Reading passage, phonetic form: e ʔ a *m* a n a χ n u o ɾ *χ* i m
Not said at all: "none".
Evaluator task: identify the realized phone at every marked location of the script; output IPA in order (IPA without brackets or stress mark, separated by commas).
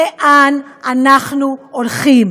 n, χ